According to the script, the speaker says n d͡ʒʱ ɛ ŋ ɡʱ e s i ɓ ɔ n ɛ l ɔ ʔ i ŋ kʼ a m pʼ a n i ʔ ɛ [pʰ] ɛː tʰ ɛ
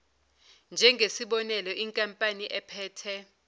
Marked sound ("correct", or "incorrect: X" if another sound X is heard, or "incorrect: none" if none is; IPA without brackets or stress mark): correct